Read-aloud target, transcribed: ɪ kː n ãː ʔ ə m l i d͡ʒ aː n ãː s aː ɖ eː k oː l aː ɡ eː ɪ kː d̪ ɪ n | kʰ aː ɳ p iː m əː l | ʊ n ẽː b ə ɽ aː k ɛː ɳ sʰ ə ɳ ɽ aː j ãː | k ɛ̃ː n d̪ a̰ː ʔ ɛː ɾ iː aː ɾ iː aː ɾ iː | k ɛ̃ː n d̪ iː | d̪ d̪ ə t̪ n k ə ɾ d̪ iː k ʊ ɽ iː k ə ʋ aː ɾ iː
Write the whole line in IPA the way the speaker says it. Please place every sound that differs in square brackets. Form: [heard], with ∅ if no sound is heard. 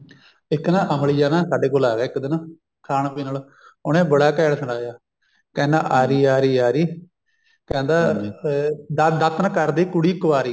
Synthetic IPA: ɪ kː n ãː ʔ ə m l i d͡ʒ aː n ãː s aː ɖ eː k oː l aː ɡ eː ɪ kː d̪ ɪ n | kʰ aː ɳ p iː [n] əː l | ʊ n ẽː b ə ɽ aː k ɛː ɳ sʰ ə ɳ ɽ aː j [aː] | k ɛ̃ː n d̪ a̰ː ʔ [aː] ɾ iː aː ɾ iː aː ɾ iː | k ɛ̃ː n d̪ [aː] | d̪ d̪ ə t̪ n k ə ɾ d̪ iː k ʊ ɽ iː k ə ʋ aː ɾ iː